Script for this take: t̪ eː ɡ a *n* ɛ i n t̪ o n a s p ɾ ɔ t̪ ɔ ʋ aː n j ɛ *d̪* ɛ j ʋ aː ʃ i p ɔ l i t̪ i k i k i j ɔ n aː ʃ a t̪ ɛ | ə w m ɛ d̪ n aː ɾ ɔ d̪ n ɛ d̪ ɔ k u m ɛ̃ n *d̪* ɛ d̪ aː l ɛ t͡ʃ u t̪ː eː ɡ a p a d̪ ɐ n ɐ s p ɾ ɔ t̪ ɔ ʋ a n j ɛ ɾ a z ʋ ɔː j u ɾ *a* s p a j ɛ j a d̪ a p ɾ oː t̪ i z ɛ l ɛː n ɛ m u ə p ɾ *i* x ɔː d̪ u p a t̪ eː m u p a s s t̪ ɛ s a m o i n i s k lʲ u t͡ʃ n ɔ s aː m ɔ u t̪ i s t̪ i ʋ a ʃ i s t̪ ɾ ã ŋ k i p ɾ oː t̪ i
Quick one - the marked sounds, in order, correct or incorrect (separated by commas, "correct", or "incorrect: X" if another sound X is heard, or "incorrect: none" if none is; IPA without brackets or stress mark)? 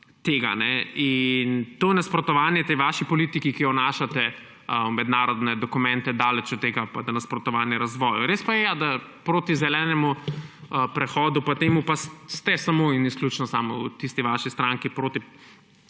correct, incorrect: t̪, incorrect: t̪, incorrect: e, incorrect: ɛ